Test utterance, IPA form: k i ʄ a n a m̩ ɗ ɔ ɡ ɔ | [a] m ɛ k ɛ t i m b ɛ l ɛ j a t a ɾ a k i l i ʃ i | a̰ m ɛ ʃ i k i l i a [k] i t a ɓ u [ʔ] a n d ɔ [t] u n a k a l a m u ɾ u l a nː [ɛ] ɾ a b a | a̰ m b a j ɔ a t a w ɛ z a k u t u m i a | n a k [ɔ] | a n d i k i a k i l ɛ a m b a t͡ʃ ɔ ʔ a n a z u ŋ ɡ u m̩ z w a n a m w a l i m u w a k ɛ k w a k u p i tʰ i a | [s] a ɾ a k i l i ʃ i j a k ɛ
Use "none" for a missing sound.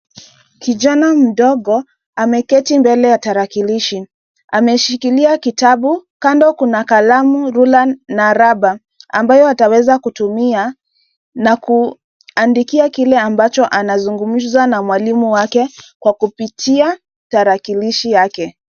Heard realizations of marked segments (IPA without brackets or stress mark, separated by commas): a, k, k, k, a, u, t